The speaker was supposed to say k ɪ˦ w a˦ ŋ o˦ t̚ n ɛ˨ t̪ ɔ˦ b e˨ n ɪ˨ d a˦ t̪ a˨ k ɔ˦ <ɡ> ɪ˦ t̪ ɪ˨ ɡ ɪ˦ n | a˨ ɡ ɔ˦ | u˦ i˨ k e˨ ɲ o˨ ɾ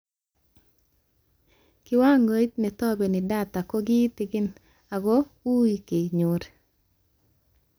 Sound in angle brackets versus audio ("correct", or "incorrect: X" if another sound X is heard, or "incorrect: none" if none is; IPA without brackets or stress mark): correct